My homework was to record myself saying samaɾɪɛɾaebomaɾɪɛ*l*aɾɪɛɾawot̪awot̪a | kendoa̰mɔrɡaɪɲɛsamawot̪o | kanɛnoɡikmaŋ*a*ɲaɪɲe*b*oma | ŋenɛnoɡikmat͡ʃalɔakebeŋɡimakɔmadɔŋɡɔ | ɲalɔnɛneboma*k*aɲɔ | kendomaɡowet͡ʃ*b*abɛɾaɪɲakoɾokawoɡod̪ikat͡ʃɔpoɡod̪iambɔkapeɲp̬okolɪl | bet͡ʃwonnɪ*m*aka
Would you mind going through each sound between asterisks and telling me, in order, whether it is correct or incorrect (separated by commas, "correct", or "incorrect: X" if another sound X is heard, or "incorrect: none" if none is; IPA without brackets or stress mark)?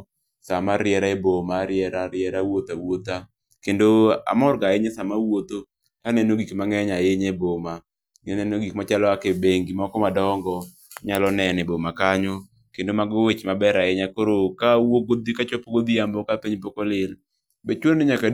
incorrect: ɾ, incorrect: ɛ, correct, correct, incorrect: m, incorrect: ɲ